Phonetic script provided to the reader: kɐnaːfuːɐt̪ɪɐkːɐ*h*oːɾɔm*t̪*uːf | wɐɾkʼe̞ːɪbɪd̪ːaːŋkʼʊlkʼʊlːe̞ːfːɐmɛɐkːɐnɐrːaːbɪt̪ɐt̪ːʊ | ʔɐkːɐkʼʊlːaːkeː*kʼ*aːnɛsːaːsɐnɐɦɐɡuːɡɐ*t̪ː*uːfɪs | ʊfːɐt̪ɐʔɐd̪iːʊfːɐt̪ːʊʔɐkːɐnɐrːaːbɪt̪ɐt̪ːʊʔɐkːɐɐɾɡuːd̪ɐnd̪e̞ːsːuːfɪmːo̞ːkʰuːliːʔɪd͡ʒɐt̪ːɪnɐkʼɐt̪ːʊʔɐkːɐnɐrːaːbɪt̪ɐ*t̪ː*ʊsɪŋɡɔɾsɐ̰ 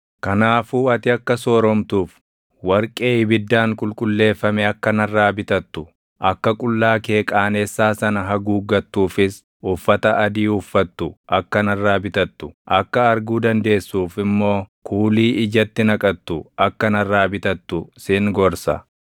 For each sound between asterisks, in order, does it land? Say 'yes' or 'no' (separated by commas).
no, yes, yes, yes, yes